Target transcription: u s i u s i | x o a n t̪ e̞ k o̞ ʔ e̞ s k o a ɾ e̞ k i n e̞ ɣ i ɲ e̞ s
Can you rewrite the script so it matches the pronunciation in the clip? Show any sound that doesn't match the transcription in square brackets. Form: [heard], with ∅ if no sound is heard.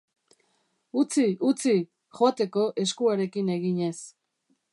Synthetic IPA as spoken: u [t͡s] i u [t͡s] i | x o a [∅] t̪ e̞ k o̞ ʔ e̞ s k [u] a ɾ e̞ k i n e̞ ɣ i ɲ e̞ s